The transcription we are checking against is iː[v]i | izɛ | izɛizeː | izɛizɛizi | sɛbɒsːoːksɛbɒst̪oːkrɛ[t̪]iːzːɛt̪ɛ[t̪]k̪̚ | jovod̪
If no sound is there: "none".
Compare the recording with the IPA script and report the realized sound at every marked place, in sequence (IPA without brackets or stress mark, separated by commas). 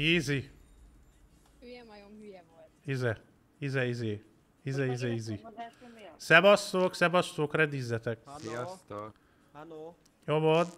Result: z, d̪, none